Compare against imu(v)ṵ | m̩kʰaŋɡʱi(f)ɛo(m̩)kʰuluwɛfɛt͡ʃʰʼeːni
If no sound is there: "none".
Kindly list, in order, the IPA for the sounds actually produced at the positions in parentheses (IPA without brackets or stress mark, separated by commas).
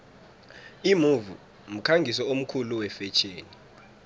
v, s, m̩